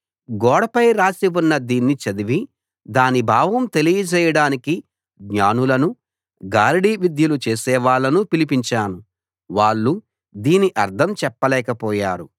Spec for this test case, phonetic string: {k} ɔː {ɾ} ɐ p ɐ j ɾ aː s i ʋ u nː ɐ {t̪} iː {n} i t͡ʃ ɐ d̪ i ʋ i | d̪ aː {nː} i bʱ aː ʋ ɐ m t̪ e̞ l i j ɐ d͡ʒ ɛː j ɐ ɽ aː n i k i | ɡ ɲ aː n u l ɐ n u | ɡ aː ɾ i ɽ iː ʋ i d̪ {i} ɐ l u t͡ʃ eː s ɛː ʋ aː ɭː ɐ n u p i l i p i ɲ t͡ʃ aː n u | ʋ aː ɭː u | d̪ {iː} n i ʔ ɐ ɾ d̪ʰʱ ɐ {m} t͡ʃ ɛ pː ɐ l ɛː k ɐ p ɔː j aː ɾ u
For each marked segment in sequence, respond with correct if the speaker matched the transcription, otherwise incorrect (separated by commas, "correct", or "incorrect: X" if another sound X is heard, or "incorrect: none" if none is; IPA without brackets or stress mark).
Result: incorrect: ɡ, incorrect: ɽ, incorrect: d̪, incorrect: nː, incorrect: n, incorrect: j, correct, correct